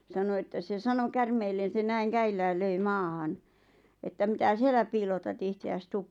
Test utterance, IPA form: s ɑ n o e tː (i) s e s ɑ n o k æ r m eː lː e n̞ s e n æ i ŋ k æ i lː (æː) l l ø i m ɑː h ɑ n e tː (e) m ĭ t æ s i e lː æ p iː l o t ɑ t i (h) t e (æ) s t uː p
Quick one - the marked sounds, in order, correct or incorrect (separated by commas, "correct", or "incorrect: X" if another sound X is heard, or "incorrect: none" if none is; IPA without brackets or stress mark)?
incorrect: æ, correct, incorrect: æ, correct, correct